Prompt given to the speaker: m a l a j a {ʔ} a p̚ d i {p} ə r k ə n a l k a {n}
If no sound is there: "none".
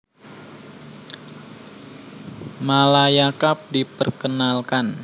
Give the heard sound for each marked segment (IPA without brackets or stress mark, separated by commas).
k, p, n